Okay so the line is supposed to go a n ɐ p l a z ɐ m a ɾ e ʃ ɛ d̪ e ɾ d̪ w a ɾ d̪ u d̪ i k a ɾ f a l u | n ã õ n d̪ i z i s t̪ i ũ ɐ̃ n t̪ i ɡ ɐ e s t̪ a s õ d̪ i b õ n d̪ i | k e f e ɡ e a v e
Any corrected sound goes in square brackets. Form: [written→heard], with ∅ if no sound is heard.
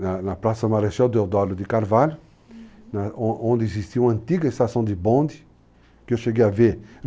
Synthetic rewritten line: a n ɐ p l a [z→s] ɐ m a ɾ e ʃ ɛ d̪ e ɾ d̪ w a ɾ d̪ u d̪ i k a ɾ [f→v] a l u | n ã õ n d̪ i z i s t̪ i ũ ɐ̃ n t̪ i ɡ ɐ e s t̪ a s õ d̪ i b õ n d̪ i | k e [f→ʃ] e ɡ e a v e